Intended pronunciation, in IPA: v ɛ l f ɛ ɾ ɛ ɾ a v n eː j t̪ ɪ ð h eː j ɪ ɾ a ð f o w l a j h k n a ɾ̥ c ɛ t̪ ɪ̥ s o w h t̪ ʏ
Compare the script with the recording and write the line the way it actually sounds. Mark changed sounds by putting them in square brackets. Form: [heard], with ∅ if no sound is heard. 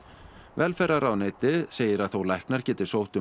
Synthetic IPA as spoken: v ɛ l f ɛ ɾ [a] ɾ a [w] n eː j t̪ ɪ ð [s] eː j ɪ ɾ a ð [θ] o w l a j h k n a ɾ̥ c [ɛː] t̪ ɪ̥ s o w h t̪ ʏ